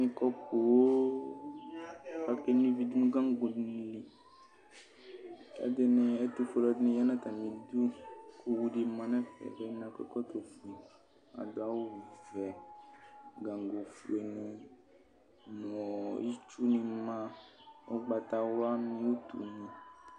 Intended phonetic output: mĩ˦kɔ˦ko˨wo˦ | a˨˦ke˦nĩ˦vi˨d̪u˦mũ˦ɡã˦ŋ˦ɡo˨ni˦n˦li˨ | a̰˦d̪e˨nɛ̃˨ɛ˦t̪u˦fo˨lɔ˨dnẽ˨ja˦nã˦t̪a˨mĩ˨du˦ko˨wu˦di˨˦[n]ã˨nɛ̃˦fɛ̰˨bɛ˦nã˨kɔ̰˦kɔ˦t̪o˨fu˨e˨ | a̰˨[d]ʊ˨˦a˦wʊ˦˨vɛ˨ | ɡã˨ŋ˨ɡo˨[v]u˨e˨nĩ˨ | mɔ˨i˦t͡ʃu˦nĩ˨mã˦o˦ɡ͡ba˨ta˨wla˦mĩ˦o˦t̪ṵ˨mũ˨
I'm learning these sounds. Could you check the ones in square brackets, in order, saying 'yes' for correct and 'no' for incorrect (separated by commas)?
no, yes, no